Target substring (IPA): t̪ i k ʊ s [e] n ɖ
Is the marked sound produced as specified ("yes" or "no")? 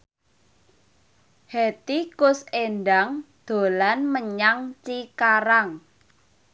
yes